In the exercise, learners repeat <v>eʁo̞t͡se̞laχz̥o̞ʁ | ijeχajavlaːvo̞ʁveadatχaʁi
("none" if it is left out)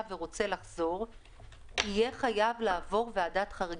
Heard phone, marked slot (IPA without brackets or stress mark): v